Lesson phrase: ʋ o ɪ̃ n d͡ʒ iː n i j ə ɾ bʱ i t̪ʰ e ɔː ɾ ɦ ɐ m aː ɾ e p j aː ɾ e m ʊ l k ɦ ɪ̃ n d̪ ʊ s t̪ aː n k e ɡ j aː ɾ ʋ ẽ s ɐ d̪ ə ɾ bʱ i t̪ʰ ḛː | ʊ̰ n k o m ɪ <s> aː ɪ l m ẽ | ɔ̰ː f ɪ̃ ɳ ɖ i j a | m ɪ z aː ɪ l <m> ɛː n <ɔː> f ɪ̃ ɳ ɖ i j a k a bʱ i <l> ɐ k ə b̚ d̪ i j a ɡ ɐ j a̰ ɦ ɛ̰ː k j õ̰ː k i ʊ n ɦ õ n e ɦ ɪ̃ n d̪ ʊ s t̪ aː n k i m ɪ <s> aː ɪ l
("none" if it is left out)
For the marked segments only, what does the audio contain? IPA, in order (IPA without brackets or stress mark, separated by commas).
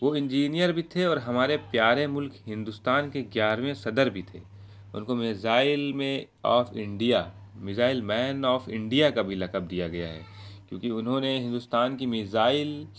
z, m, ɔː, l, z